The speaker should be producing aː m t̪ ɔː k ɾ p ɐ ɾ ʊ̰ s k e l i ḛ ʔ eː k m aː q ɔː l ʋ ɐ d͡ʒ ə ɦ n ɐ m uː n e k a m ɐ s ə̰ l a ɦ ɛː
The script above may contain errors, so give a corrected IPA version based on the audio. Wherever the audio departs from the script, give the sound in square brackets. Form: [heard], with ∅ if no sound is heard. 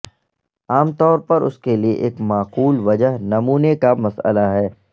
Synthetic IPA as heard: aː m t̪ ɔː [∅] ɾ p ɐ ɾ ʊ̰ s k e l i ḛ ʔ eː k m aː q [uː] l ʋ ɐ d͡ʒ ə ɦ n ɐ m uː n e k a m ɐ s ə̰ l a ɦ ɛː